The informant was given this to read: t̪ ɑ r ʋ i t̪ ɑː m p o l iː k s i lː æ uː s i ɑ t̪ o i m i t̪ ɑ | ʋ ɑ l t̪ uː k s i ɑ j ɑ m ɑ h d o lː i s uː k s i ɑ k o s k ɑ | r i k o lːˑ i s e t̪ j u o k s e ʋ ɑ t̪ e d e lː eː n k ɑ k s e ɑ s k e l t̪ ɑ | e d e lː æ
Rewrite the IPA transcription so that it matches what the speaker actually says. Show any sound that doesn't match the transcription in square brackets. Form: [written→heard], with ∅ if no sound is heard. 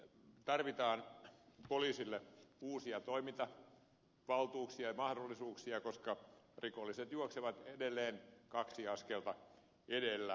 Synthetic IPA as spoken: t̪ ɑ r ʋ i t̪ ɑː [m→n] p o l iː [k→∅] s i lː [æ→e] uː s i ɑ t̪ o i m i t̪ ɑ | ʋ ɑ l t̪ uː k s i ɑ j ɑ m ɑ h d o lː i s uː k s i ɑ k o s k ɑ | r i k o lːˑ i s e t̪ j u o k s e ʋ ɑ t̪ e d e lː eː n k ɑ k s [e→i] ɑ s k e l t̪ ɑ | e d e lː æ